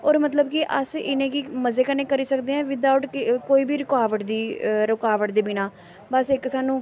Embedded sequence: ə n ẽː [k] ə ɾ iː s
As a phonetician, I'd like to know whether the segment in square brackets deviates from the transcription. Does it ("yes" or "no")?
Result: no